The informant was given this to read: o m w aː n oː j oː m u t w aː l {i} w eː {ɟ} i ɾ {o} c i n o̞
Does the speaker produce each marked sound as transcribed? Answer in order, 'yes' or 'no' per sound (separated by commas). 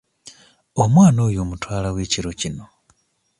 no, no, yes